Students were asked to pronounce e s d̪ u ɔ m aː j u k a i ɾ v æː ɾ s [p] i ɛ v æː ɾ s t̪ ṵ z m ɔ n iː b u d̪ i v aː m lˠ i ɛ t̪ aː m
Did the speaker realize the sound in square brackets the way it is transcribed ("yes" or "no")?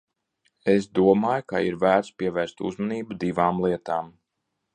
yes